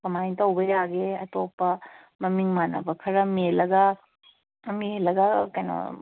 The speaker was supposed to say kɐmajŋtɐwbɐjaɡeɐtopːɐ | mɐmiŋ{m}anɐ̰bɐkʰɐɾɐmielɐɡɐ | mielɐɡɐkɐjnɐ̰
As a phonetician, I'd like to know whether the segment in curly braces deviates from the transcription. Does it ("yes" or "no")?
no